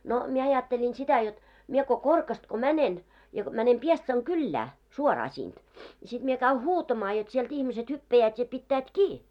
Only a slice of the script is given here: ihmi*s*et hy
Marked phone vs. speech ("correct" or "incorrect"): correct